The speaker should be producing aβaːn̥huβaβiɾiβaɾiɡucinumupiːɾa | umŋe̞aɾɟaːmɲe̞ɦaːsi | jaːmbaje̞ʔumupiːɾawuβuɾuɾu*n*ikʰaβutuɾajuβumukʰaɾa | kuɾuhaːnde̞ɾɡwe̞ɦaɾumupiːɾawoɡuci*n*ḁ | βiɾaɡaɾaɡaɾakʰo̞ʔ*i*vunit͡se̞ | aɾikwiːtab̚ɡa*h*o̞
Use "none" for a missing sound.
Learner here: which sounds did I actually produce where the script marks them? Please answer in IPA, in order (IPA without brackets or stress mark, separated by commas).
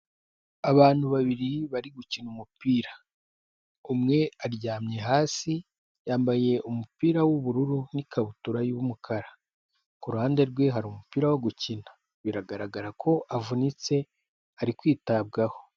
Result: n, n, a, h